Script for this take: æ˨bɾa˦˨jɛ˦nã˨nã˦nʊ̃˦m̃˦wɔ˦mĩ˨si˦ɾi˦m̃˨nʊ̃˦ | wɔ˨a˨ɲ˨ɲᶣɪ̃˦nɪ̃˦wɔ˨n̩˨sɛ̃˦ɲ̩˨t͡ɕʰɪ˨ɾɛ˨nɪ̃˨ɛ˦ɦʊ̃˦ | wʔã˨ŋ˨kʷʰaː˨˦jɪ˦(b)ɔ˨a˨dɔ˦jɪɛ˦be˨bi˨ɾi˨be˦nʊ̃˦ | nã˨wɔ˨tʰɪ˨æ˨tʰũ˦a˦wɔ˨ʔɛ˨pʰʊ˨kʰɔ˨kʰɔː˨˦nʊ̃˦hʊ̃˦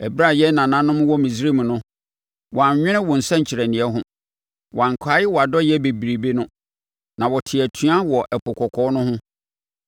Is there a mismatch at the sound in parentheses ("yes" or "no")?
yes